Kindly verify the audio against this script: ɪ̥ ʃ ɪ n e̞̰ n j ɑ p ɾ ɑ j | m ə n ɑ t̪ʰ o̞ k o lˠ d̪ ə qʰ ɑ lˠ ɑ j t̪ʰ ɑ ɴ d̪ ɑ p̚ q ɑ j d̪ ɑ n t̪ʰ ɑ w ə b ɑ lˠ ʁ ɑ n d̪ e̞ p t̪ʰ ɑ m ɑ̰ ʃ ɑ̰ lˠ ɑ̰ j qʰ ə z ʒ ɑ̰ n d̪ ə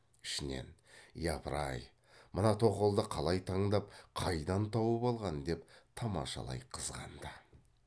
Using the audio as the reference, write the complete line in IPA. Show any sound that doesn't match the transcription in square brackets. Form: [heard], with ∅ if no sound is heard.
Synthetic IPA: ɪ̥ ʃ ɪ n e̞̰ n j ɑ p ɾ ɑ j | m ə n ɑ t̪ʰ o̞ [q] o lˠ d̪ ə qʰ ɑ lˠ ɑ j t̪ʰ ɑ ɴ d̪ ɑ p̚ [qʰ] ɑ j d̪ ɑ n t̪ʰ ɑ w ə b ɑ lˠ ʁ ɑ n d̪ e̞ p t̪ʰ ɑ m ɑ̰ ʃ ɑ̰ lˠ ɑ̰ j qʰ ə z [ʁ] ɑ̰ n d̪ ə

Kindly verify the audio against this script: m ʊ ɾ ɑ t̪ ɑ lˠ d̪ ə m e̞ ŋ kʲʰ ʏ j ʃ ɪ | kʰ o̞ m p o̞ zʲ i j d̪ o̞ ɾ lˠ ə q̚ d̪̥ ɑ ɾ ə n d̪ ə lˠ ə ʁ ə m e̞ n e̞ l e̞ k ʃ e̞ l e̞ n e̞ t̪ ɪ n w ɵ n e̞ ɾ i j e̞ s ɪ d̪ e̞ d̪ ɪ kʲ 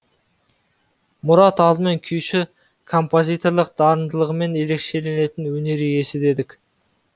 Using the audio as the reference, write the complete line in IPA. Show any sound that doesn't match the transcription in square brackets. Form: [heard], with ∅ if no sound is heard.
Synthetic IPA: m ʊ ɾ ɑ t̪ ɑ lˠ d̪ ə m e̞ ŋ kʲʰ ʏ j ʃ ɪ | kʰ o̞ m p o̞ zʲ i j [t̪] o̞ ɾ lˠ ə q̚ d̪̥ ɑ ɾ ə n d̪ ə lˠ ə ʁ ə m e̞ n e̞ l e̞ k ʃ e̞ l e̞ n e̞ t̪ ɪ n w ɵ n e̞ ɾ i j e̞ s ɪ d̪ e̞ d̪ ɪ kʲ

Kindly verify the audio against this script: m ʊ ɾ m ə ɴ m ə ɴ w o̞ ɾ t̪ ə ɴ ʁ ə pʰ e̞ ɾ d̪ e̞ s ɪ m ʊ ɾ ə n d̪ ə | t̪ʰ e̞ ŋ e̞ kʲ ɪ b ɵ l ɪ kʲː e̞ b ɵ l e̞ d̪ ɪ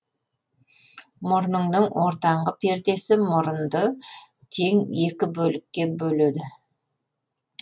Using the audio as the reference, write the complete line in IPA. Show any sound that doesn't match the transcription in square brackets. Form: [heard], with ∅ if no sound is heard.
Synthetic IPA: m ʊ ɾ [n] ə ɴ [n] ə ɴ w o̞ ɾ t̪ [ɑ] ɴ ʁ ə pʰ e̞ ɾ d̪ e̞ s ɪ m ʊ ɾ ə n d̪ ə | t̪ʰ e̞ ŋ e̞ kʲ ɪ b ɵ l ɪ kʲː e̞ b ɵ l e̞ d̪ ɪ

